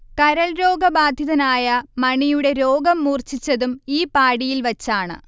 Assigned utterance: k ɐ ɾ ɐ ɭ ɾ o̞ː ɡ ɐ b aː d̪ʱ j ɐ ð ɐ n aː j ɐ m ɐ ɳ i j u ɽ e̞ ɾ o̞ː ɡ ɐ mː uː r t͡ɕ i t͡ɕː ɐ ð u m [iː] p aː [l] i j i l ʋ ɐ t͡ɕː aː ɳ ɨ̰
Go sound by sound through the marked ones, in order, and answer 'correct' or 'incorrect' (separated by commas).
correct, incorrect